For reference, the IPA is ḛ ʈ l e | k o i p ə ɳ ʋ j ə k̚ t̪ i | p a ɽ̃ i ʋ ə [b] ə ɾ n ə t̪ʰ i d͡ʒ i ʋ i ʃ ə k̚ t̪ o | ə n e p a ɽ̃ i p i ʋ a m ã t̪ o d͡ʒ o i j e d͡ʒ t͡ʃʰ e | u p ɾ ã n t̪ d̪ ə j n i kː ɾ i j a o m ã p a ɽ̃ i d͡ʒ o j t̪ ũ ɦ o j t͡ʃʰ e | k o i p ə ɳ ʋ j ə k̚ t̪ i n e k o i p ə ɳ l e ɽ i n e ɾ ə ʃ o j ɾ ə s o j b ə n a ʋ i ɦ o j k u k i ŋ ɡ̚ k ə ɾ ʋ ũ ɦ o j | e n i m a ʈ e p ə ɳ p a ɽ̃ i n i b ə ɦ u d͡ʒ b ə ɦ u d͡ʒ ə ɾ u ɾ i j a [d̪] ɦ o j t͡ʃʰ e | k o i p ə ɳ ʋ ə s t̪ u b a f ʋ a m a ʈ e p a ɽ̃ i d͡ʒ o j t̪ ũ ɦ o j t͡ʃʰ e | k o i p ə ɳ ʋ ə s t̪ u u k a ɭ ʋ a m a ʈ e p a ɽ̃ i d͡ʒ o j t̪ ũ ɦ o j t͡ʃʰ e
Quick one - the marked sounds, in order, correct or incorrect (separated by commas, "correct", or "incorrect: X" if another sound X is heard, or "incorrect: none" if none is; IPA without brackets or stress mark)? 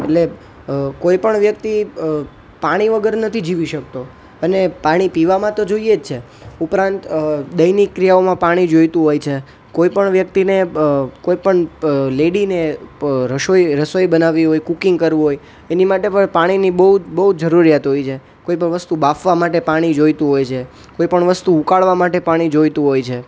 incorrect: ɡ, incorrect: t̪